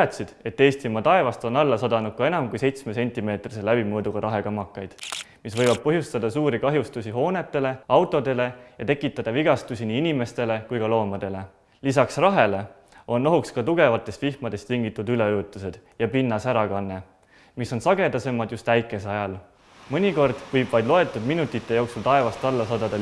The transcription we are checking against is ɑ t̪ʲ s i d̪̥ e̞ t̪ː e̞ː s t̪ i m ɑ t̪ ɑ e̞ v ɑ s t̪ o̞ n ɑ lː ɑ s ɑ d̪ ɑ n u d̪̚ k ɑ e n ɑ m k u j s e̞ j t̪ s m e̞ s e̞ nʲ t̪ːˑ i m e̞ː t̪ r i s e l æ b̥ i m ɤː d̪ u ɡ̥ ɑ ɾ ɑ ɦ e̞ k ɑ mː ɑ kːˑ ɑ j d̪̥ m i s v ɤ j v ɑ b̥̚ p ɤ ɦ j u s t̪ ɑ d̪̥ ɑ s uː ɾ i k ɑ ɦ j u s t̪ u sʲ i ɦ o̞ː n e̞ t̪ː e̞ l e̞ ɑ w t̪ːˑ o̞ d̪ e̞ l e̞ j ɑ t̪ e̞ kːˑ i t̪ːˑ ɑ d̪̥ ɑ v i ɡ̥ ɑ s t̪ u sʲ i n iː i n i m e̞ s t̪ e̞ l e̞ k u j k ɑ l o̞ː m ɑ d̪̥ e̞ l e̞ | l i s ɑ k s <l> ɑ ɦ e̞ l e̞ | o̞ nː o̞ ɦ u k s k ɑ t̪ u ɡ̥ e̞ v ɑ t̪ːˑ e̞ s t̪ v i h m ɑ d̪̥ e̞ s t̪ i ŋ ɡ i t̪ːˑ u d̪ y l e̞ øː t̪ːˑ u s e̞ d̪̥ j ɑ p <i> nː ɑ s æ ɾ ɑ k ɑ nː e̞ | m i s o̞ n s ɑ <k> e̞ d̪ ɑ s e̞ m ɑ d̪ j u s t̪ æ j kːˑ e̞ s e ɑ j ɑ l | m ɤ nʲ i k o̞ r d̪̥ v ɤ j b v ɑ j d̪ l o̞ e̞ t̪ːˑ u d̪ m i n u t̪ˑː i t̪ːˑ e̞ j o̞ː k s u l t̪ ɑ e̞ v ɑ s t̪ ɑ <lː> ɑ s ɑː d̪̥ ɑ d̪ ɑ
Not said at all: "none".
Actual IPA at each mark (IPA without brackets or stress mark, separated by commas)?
r, i, ɡ, lː